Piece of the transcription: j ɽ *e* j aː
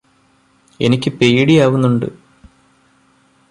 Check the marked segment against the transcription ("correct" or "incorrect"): incorrect